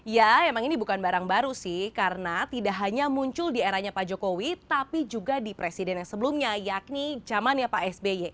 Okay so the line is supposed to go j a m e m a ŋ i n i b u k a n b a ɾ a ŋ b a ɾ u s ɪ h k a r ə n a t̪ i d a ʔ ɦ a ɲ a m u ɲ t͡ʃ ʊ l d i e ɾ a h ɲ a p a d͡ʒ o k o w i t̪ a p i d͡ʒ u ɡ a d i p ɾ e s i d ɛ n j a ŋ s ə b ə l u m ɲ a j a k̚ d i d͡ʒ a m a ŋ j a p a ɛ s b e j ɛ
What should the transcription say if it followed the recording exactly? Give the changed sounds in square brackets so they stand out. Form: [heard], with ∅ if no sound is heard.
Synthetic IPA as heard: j a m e m a ŋ i n i b u k a n b a ɾ a ŋ b a ɾ u s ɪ h k a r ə n a t̪ i d a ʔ ɦ a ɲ a m u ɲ t͡ʃ ʊ l d i e ɾ a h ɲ a p a d͡ʒ o k o w i t̪ a p i d͡ʒ u ɡ a d i p ɾ e s i d ɛ n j a ŋ s ə b ə l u m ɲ a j a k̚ [n] i d͡ʒ a m a [n] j a p a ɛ s b e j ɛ